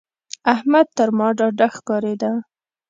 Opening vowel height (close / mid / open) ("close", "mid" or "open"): open